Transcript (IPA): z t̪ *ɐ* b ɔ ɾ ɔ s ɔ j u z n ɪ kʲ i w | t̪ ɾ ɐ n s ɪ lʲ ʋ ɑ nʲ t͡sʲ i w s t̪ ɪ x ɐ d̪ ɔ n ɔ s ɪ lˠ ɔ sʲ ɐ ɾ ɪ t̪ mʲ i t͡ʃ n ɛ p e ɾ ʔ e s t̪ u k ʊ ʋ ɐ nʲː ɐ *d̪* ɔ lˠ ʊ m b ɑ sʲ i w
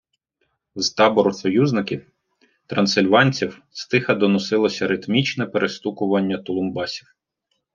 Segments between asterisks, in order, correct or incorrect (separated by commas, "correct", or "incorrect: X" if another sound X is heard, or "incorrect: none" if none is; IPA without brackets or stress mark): incorrect: ɑ, incorrect: t̪